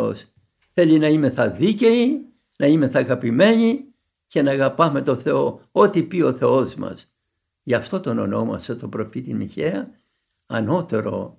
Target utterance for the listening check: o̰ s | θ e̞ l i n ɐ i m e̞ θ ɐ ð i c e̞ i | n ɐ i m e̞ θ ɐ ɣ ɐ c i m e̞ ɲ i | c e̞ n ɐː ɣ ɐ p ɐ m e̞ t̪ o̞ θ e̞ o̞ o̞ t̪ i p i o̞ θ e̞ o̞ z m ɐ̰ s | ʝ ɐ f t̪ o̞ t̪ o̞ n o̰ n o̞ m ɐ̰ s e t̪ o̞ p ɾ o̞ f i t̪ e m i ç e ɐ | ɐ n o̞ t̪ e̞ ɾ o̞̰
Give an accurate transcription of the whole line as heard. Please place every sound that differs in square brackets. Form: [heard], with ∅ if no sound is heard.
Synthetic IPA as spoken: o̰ s | θ e̞ l i n ɐ i m e̞ θ ɐ ð i c e̞ i | n ɐ i m e̞ θ ɐ ɣ ɐ [p] i m e̞ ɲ i | c e̞ n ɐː ɣ ɐ p ɐ m e̞ t̪ o̞ θ e̞ o̞ o̞ t̪ i p i o̞ θ e̞ o̞ z m ɐ̰ s | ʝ ɐ f t̪ o̞ t̪ o̞ n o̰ n o̞ m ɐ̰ s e t̪ o̞ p ɾ o̞ f i t̪ [i] m i ç e ɐ | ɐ n o̞ t̪ e̞ ɾ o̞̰